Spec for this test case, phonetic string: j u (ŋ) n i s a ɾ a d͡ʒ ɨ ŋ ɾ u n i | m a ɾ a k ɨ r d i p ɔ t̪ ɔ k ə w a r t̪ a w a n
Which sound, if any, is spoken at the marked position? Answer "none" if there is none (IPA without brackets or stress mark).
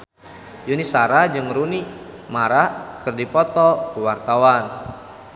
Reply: none